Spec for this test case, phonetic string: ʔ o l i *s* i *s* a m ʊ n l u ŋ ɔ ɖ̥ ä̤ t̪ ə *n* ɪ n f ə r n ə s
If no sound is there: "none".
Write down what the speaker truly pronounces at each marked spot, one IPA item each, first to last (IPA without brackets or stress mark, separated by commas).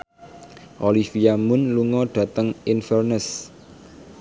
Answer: f, none, ŋ